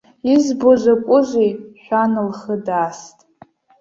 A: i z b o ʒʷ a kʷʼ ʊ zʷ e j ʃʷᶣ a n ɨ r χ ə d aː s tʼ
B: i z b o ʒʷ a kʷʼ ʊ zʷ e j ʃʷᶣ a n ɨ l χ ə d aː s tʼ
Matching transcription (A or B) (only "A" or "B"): B